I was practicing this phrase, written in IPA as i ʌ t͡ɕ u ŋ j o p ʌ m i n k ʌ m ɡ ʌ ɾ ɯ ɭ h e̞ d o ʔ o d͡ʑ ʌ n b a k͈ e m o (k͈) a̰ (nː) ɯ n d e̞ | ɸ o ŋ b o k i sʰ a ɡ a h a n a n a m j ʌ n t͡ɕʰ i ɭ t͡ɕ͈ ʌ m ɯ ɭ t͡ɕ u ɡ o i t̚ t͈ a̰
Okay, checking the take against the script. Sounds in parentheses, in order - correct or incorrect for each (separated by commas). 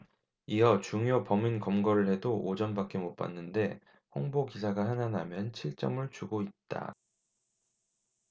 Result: incorrect, correct